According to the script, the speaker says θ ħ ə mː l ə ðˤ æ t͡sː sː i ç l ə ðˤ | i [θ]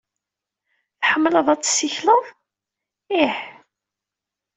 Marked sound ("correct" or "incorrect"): incorrect